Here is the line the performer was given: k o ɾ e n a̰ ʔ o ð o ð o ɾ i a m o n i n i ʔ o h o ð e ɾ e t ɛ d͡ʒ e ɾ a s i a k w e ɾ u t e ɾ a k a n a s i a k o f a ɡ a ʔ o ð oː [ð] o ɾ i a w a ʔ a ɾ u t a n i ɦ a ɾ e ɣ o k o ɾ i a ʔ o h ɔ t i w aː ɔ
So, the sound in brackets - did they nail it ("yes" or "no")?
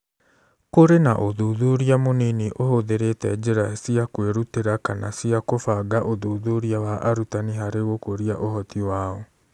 yes